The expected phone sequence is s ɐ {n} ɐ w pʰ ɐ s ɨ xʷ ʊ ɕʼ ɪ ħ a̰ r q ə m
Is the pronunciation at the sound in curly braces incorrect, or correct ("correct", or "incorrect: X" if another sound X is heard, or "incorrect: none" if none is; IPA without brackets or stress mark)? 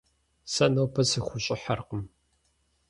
correct